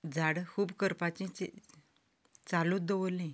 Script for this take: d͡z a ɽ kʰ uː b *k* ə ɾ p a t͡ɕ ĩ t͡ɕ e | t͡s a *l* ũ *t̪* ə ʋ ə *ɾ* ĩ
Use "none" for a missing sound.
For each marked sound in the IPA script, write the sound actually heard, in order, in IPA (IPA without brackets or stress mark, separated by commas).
k, l, d̪, l